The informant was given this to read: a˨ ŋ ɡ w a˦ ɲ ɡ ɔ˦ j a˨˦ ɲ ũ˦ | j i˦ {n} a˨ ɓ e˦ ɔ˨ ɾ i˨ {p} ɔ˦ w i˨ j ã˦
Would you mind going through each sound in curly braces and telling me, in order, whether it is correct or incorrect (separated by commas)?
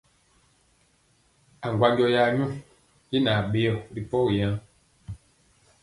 correct, correct